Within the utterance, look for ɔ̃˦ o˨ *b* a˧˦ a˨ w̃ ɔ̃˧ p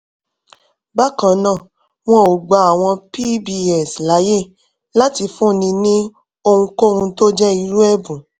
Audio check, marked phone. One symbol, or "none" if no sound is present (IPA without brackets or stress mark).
ɡ͡b